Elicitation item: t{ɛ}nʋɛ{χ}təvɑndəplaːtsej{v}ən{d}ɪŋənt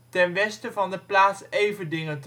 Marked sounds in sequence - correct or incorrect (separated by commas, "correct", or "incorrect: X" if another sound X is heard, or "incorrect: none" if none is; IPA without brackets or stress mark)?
correct, incorrect: s, correct, correct